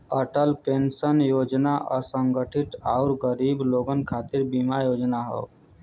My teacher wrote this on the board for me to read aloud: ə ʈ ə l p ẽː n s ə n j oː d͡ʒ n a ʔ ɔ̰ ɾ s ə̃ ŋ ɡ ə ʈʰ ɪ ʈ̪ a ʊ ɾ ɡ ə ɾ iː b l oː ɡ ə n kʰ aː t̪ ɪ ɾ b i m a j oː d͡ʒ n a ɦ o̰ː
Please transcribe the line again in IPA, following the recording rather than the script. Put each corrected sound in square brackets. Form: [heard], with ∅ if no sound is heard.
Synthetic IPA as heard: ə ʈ ə l p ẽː n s ə n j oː d͡ʒ n a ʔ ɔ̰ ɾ s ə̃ ŋ ɡ ə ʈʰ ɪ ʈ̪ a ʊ ɾ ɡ ə ɾ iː b l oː ɡ ə n kʰ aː t̪ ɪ ɾ b i m a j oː d͡ʒ n a ɦ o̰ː

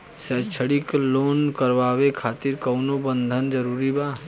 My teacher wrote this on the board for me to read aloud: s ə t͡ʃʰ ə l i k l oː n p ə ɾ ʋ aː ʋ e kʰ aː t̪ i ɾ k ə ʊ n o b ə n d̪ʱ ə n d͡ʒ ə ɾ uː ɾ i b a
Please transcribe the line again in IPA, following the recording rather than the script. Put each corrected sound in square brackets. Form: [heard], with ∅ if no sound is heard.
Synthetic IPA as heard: s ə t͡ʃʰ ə [ɽ] i k l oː n [k] ə ɾ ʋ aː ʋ e kʰ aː t̪ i ɾ k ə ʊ n o b ə n d̪ʱ ə n d͡ʒ ə ɾ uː ɾ i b a

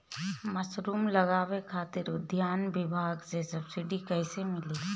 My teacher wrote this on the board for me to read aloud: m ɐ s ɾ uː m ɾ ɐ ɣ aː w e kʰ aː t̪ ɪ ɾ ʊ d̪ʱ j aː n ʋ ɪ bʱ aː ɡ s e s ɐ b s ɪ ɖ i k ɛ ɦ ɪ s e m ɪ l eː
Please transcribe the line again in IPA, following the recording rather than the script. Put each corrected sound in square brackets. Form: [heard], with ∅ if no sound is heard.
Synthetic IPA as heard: m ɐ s ɾ uː m [l] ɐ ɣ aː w e kʰ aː t̪ ɪ ɾ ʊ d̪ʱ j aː n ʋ ɪ bʱ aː ɡ s e s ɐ b s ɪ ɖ i k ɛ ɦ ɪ s e m ɪ l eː

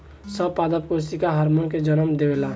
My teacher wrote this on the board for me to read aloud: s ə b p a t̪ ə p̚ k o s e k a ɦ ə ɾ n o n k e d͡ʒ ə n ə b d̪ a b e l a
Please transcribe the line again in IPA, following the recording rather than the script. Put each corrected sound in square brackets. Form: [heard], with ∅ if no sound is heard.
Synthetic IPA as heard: s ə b p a [d̪] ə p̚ k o s [i] k a ɦ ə ɾ [m] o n k e d͡ʒ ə n ə [m] d̪ [e] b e l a

